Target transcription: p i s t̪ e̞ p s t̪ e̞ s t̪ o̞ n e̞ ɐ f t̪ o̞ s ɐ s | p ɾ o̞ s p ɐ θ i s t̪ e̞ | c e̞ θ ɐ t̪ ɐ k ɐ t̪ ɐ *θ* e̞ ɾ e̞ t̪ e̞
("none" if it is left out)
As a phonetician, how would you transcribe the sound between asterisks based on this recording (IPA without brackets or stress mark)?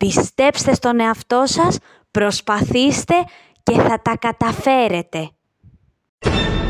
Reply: f